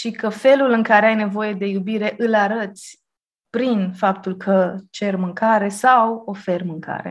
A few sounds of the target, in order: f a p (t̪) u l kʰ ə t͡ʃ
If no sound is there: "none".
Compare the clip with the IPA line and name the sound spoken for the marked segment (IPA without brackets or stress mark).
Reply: t̪